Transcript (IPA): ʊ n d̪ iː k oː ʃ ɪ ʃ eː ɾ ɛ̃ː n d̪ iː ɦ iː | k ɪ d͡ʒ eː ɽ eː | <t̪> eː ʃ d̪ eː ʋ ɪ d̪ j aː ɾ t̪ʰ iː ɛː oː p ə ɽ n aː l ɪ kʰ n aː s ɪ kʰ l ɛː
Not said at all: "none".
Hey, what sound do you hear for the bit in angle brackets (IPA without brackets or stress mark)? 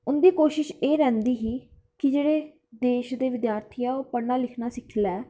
d̪